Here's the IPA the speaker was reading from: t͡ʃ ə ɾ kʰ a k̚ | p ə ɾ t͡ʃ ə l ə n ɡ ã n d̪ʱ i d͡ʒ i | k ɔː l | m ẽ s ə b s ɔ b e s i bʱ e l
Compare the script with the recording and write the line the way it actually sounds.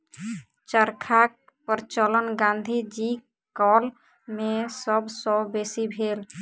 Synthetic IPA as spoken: t͡ʃ ə ɾ kʰ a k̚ | p ə ɾ t͡ʃ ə l ə n ɡ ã n d̪ʱ i d͡ʒ i | k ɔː l | m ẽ s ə b s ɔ b e s i bʱ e l